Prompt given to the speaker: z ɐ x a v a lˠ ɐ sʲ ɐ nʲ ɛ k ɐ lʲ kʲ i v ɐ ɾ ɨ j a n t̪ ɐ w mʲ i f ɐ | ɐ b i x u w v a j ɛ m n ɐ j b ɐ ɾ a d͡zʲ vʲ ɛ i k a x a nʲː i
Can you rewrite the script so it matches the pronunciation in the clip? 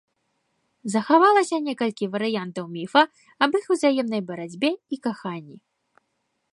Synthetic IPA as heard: z ɐ x a v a lˠ ɐ sʲ ɐ nʲ ɛ k ɐ lʲ kʲ i v ɐ ɾ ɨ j a n t̪ ɐ w mʲ i f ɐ | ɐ b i x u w z a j ɛ m n ɐ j b ɐ ɾ a d͡zʲ bʲ ɛ i k a x a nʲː i